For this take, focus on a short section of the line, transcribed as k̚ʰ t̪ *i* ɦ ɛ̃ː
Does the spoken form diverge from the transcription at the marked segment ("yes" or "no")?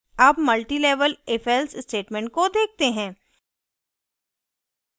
yes